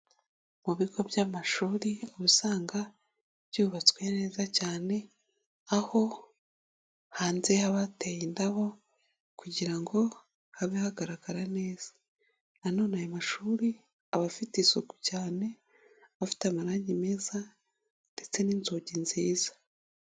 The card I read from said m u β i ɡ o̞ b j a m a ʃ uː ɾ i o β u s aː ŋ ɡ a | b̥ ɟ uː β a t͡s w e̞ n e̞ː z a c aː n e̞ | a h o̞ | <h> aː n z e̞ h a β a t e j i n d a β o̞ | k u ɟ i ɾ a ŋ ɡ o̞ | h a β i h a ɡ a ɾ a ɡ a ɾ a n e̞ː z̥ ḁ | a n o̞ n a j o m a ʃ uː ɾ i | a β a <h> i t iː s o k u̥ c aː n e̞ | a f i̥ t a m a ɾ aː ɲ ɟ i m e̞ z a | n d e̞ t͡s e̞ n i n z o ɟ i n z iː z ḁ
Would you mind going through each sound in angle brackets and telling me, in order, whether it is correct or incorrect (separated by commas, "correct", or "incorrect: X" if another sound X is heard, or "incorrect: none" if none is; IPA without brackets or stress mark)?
correct, incorrect: f